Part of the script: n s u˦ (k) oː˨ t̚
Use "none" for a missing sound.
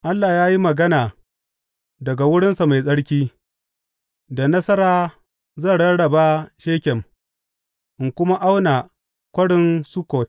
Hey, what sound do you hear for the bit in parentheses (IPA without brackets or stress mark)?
k